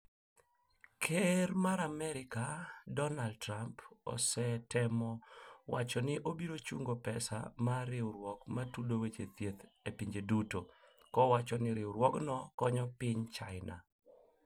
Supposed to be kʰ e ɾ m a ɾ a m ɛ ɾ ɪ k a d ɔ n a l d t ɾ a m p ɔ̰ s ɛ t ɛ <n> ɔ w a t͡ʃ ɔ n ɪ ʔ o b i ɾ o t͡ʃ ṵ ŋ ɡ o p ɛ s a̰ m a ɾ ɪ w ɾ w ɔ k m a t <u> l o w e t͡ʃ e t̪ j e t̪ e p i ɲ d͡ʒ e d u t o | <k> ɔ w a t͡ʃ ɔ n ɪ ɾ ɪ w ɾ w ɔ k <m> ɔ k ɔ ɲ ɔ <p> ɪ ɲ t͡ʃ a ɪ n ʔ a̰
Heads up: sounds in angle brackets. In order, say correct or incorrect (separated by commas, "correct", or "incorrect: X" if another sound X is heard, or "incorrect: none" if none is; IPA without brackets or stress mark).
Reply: incorrect: m, correct, correct, incorrect: n, correct